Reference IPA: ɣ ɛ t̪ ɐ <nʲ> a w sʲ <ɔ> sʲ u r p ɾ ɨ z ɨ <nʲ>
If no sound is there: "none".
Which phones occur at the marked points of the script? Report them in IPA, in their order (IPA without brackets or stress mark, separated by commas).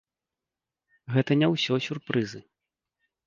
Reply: nʲ, ɔ, none